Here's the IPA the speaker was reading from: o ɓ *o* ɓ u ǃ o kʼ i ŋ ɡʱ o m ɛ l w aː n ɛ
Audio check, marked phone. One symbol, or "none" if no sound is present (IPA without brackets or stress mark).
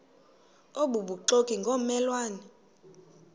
u